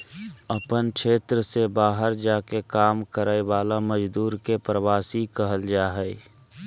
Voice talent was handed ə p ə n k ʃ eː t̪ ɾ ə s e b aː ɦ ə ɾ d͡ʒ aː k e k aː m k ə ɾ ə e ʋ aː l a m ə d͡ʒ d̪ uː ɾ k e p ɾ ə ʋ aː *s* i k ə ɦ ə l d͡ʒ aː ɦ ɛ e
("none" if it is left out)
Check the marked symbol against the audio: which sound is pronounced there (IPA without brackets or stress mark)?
s